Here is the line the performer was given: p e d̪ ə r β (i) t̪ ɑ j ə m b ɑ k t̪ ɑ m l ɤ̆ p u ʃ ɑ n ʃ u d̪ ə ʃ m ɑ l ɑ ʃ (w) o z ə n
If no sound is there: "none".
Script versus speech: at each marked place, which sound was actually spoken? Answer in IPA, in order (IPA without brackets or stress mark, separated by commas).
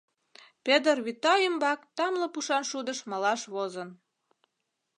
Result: i, β